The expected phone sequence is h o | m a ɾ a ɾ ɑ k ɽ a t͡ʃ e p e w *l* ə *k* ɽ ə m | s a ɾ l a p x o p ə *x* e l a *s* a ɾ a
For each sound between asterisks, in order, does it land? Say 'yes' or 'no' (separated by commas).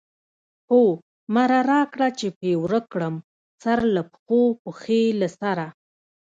no, yes, yes, yes